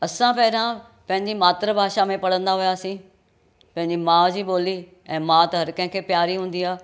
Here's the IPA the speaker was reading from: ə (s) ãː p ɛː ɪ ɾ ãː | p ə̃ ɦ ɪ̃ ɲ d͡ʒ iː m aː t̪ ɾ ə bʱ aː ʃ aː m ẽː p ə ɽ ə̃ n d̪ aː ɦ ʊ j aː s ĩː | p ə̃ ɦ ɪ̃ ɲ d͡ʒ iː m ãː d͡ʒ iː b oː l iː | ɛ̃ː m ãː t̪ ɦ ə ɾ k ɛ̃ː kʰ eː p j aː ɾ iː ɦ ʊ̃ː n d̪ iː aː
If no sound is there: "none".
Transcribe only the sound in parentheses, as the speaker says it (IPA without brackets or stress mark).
s